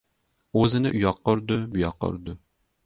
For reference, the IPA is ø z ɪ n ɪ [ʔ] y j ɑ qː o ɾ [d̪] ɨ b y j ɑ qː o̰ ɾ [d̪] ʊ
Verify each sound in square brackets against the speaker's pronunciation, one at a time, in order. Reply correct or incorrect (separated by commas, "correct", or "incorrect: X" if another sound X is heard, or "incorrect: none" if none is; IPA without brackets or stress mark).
correct, correct, correct